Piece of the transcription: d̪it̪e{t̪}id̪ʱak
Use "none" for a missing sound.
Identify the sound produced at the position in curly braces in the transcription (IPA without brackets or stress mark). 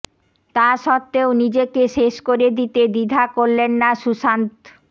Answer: d̪